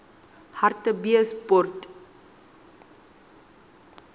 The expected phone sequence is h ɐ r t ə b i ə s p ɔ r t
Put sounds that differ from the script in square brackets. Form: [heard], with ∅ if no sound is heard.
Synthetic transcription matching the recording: h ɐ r t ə b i ə s p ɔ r t